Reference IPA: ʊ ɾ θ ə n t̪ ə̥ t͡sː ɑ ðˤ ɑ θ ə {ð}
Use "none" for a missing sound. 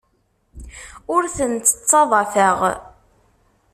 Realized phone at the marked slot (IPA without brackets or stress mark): ʁ